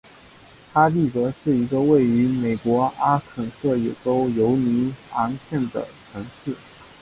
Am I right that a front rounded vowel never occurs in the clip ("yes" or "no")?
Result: no